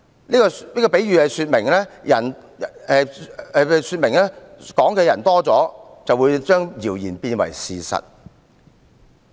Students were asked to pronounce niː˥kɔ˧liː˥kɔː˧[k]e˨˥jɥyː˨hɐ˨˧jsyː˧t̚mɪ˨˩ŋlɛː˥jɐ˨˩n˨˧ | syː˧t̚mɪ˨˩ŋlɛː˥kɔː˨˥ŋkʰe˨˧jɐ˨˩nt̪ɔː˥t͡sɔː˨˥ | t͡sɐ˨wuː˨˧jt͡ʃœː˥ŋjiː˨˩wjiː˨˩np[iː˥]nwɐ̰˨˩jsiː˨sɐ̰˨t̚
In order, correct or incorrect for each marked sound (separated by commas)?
incorrect, incorrect